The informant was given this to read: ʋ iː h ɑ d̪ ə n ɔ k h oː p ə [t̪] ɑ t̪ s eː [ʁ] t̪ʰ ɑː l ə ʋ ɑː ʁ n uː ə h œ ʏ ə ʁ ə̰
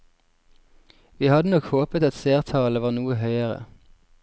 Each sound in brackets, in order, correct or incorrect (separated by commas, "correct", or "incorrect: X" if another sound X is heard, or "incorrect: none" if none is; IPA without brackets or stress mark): correct, correct